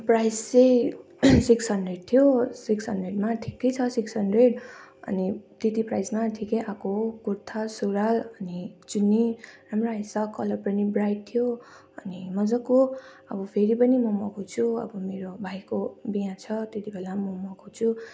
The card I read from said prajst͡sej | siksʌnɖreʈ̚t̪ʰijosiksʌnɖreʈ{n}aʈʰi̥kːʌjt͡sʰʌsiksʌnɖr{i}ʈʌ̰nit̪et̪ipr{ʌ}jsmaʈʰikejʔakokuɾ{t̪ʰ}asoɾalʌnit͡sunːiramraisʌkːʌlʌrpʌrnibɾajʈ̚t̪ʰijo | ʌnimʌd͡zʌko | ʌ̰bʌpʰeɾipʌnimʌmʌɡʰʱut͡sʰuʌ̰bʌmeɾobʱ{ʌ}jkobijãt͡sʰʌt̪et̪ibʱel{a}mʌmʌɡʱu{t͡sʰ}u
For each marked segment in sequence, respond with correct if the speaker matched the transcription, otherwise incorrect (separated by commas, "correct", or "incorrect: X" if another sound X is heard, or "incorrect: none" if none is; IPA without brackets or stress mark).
incorrect: m, incorrect: e, incorrect: a, correct, incorrect: a, correct, correct